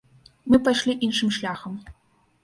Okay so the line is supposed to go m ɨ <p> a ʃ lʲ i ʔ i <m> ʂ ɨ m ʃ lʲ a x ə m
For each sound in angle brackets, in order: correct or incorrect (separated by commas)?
correct, incorrect